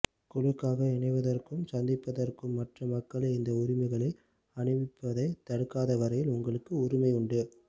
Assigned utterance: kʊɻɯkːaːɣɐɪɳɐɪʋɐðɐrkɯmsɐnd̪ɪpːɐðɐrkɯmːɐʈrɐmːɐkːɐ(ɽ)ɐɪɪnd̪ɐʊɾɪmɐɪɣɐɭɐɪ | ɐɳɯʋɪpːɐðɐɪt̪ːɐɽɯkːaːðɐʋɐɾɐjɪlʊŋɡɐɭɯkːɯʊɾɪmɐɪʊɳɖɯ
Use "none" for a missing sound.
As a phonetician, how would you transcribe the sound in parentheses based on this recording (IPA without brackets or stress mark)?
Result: ɭ